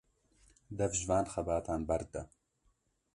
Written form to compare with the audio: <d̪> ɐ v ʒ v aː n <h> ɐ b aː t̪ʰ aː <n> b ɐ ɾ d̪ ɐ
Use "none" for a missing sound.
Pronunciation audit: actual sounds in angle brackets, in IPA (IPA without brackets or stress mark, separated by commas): d̪, x, n